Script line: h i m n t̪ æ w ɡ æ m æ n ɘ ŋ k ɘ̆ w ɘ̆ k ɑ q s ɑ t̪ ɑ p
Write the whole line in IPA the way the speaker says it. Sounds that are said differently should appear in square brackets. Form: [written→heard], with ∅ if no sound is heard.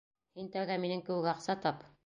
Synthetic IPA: h i [m→∅] n t̪ æ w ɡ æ m [æ→i] n ɘ ŋ k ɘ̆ w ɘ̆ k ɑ q s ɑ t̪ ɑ p